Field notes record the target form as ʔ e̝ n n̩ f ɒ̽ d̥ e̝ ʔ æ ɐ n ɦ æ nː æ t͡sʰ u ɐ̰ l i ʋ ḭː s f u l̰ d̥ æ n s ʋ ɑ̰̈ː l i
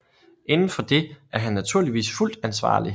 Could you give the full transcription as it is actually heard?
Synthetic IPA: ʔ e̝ n n̩ f ɒ̽ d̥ e̝ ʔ æ ɐ ɦ æ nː æ t͡sʰ u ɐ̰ l i ʋ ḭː s f u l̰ d̥ æ n s ʋ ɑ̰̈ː l i